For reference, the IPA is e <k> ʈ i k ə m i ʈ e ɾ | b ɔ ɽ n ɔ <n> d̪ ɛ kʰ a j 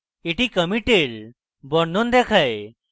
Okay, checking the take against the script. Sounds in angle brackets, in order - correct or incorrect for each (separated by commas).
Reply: incorrect, correct